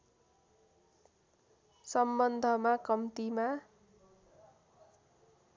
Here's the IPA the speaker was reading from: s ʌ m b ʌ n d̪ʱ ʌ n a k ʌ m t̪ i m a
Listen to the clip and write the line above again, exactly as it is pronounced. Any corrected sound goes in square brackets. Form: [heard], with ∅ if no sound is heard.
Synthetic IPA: s ʌ m b ʌ n d̪ʱ ʌ [m] a k ʌ m t̪ i m a